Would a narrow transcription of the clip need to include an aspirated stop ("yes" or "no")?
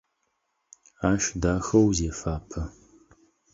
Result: yes